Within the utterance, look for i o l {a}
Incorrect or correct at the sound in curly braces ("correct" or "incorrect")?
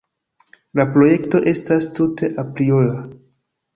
correct